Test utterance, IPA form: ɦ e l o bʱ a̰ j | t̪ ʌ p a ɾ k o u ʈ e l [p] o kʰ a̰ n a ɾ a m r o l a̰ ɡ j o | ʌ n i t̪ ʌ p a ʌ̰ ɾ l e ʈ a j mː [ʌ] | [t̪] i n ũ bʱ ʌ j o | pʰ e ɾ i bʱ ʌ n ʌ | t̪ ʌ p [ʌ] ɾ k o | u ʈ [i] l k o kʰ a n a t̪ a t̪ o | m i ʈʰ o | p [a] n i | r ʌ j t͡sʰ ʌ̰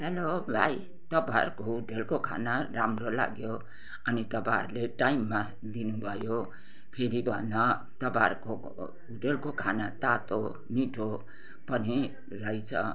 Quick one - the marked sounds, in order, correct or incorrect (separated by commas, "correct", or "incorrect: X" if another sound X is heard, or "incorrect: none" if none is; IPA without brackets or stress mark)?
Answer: incorrect: k, incorrect: a, incorrect: d̪, incorrect: a, incorrect: e, incorrect: ʌ